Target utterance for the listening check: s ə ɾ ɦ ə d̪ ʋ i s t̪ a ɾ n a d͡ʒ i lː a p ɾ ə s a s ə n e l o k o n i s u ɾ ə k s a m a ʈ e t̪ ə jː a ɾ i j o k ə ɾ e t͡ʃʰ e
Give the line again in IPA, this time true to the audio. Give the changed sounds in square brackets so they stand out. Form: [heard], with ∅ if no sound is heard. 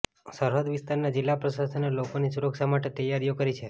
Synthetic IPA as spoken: s ə ɾ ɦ ə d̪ ʋ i s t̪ a ɾ n a d͡ʒ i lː a p ɾ ə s a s ə n e l o k o n i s u ɾ ə k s a m a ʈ e t̪ ə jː a ɾ i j o k ə ɾ [i] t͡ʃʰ e